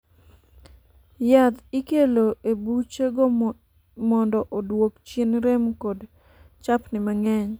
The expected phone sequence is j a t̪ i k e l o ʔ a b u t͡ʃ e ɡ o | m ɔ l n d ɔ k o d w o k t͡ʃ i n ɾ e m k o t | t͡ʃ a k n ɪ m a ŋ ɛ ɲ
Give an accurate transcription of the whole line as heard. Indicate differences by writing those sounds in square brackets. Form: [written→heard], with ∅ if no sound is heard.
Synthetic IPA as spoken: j a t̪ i k e l o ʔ [a→e] b u t͡ʃ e ɡ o | m ɔ [l→∅] n d ɔ [k→ʔ] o d w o k t͡ʃ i n ɾ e m k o [t→d] | t͡ʃ a [k→p] n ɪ m a ŋ ɛ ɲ